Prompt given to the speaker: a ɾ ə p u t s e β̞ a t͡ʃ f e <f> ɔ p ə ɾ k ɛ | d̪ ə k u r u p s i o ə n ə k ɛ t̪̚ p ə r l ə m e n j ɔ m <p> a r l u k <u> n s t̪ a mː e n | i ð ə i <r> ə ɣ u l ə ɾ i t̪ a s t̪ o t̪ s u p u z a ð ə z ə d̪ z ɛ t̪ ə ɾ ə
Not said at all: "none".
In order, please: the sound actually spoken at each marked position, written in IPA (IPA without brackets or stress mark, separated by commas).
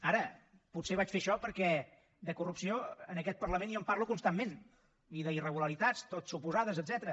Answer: ʃ, p, u, r